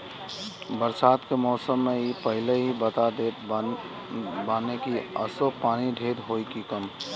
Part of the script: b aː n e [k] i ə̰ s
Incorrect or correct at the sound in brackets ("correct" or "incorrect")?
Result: correct